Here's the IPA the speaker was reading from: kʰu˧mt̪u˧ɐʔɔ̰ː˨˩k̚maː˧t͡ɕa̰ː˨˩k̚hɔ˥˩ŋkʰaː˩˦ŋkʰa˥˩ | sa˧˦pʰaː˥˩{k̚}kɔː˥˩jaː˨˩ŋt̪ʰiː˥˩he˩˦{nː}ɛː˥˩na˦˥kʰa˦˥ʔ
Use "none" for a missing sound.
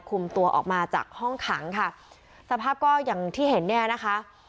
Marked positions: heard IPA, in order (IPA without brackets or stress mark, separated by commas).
p̚, nː